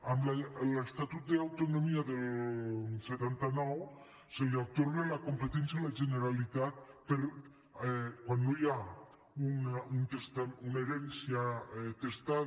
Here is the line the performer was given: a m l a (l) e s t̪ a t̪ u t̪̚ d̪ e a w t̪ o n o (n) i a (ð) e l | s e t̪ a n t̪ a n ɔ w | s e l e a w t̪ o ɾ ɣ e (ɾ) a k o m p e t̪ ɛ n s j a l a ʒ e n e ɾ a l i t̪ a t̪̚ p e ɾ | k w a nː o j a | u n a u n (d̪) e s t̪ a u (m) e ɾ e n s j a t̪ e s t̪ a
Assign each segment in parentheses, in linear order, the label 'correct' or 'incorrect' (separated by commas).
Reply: correct, incorrect, correct, incorrect, incorrect, incorrect